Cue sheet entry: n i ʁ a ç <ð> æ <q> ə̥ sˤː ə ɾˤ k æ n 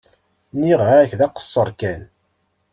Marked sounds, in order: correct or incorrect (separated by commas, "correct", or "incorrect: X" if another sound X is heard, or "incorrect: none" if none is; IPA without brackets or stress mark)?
correct, correct